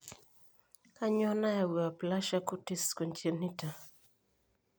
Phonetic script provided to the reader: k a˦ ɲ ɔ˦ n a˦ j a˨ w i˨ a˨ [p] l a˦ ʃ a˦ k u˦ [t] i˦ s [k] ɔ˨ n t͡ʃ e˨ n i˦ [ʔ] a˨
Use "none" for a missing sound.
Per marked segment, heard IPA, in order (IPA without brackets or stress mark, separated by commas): p, t, k, t